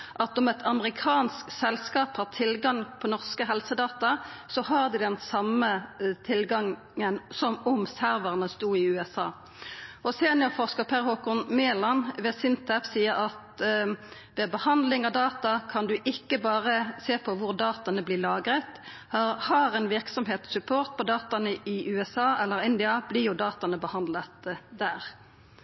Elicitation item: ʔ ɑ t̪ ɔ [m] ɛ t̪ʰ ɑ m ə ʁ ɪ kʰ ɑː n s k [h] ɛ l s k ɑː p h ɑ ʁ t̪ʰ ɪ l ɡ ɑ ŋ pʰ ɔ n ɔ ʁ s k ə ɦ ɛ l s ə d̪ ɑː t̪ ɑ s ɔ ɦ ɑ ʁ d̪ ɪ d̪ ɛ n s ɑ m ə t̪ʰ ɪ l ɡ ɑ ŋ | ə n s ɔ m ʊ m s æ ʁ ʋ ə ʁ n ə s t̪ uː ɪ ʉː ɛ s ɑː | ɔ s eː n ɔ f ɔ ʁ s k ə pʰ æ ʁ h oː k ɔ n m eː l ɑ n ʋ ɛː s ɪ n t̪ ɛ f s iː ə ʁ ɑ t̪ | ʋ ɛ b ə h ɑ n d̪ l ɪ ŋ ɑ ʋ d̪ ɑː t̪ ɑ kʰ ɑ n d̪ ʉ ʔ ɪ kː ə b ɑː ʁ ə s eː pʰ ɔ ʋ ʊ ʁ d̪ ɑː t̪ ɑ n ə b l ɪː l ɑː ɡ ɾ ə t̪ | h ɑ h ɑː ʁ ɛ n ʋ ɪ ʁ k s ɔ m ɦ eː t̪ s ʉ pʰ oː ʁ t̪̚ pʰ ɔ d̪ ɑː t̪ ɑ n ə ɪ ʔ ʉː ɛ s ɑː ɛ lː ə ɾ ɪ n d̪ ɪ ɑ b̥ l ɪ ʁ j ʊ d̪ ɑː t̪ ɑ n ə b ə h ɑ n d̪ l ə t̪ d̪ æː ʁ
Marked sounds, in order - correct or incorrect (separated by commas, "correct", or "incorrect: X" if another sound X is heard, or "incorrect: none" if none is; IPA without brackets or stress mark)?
correct, incorrect: s